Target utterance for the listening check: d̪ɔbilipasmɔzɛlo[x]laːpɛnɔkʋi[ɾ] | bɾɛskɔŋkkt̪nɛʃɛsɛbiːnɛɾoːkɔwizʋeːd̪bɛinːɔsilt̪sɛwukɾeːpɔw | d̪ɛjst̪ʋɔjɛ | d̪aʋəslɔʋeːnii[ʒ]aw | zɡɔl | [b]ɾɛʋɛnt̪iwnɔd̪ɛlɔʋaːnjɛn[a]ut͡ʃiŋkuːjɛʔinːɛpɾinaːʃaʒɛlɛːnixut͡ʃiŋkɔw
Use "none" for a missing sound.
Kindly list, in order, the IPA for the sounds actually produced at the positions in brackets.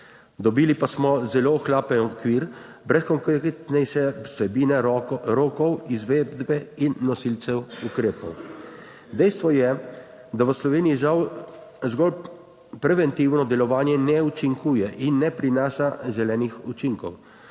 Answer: x, ɾ, ʒ, p, ɛ

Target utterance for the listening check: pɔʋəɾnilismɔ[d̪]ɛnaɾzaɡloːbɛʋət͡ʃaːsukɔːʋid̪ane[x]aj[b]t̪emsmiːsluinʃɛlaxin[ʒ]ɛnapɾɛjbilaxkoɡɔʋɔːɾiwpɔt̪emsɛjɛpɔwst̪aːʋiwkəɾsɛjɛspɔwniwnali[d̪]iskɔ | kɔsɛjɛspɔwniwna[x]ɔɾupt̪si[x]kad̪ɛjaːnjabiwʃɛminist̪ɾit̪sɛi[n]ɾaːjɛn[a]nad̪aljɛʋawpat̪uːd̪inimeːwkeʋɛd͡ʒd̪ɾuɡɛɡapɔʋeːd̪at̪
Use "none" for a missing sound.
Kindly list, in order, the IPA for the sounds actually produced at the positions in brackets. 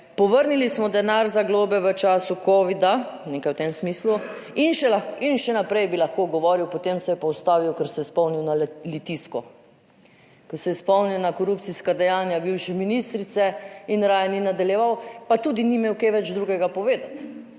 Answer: d̪, k, w, ʃ, t̪, k, s, n, i

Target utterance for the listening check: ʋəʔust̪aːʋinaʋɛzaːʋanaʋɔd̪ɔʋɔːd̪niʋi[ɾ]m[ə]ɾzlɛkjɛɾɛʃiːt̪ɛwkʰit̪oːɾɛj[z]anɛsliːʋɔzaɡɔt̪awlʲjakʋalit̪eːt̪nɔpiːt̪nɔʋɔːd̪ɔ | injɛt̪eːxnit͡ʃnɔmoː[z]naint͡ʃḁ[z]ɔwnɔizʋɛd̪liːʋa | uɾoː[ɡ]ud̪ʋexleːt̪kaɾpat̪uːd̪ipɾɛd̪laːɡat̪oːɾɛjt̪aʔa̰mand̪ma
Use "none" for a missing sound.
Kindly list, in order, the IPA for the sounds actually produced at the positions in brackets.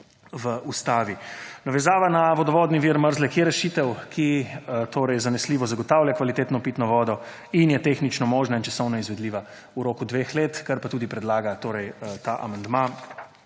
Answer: ɾ, ə, z, ʒ, s, k

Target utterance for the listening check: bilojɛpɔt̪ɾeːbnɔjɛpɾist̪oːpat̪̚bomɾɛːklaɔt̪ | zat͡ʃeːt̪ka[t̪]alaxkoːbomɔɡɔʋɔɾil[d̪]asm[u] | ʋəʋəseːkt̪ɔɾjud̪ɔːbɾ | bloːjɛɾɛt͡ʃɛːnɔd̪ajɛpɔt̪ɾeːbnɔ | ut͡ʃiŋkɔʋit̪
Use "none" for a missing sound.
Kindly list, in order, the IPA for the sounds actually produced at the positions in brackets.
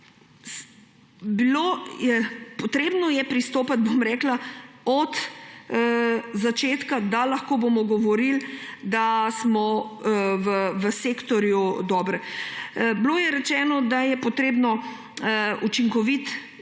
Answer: d̪, d̪, ɔ

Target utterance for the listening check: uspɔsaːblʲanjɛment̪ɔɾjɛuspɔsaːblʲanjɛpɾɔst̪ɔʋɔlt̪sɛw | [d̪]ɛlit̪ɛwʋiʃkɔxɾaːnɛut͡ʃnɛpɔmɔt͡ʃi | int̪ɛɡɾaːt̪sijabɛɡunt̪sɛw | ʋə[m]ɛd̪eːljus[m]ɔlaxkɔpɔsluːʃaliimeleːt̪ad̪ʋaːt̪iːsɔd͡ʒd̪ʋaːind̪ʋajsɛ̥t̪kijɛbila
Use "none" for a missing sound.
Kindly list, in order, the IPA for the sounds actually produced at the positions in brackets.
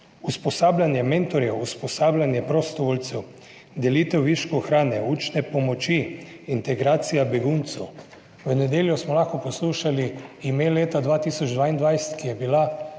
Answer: d̪, n, m

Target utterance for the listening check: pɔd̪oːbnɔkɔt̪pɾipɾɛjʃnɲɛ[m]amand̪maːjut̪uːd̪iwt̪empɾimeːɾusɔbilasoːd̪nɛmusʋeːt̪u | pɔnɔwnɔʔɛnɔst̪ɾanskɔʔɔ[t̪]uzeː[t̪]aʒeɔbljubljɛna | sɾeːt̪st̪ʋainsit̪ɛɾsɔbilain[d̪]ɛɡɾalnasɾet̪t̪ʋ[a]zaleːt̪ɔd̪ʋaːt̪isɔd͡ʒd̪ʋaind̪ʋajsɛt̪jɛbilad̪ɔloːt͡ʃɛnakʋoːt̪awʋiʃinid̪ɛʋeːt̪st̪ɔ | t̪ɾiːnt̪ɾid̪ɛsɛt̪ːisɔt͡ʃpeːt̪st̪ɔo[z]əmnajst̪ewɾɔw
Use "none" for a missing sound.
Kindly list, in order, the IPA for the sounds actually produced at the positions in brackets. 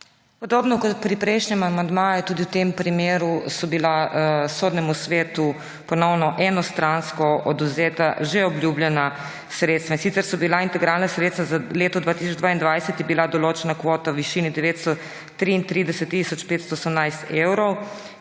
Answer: m, d̪, t̪, t̪, a, s

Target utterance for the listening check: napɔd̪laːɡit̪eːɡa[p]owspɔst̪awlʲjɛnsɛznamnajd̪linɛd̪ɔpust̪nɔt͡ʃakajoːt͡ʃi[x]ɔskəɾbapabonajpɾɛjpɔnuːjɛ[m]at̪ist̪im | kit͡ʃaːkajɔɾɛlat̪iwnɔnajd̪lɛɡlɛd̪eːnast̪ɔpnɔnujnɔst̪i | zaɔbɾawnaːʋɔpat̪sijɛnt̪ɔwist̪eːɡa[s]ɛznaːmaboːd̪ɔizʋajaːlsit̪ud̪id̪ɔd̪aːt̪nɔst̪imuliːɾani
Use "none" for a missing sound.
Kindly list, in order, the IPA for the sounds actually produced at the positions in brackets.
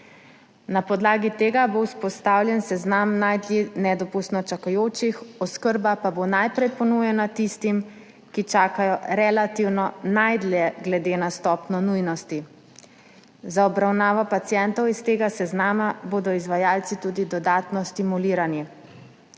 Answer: b, x, n, s

